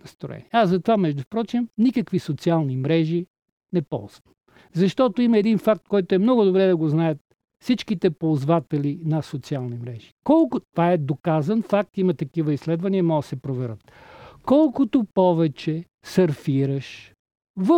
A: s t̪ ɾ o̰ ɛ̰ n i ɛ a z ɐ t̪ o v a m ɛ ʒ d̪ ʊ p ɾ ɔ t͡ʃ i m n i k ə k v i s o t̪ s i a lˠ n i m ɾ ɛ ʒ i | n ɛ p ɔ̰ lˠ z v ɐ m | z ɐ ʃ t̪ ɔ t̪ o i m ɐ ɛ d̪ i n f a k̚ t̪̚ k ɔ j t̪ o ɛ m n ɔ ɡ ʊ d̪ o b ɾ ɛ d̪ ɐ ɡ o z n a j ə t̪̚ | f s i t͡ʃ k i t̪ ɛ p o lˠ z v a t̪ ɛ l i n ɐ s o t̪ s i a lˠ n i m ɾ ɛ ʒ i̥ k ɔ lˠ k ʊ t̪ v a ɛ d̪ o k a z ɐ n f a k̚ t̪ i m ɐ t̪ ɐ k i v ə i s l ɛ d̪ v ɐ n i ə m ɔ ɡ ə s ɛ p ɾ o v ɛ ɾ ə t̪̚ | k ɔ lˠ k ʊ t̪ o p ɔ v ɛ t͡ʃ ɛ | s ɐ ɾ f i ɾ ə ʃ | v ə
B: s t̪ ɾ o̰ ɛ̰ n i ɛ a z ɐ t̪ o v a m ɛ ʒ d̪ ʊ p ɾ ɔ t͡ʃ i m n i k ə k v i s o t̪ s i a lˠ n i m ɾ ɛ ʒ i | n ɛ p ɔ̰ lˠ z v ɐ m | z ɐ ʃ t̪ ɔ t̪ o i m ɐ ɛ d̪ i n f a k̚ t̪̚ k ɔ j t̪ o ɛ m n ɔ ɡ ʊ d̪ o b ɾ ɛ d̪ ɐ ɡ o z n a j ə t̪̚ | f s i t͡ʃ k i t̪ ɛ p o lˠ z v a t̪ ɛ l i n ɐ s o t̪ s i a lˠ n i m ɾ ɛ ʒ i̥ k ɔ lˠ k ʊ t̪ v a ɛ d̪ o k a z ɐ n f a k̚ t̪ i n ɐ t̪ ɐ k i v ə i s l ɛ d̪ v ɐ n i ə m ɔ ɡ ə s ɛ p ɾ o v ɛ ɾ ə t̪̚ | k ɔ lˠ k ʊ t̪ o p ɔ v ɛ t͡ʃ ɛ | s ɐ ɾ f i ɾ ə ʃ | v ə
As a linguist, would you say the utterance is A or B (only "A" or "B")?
A